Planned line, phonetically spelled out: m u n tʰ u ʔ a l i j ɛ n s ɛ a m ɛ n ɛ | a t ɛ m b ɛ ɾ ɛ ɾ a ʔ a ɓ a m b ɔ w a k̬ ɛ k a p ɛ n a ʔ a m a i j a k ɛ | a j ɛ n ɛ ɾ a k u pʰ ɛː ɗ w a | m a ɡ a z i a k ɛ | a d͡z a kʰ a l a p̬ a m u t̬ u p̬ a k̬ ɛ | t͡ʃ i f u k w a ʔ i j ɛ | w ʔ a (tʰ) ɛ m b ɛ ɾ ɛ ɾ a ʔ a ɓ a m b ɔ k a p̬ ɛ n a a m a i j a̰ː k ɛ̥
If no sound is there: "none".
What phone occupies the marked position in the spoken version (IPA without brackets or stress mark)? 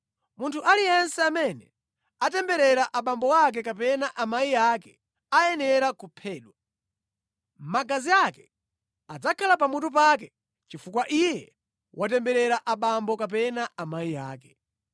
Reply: t